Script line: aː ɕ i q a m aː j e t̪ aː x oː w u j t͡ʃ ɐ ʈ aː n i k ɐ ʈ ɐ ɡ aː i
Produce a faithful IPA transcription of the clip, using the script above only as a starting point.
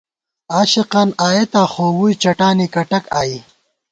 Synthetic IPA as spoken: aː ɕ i q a n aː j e t̪ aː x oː w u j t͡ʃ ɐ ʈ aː n i k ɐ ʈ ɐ k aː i